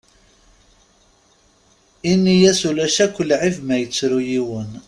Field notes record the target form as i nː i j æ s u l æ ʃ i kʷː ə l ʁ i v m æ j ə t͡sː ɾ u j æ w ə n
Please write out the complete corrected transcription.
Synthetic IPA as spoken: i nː i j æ s u l æ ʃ æ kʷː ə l ʕ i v m æ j ə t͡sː ɾ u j i w ə n

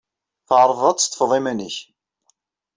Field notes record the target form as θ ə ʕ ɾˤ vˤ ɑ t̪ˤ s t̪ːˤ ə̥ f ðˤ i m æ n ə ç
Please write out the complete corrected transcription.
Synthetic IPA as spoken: θ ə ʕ ɾˤ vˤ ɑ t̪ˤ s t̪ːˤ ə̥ f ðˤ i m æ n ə ç

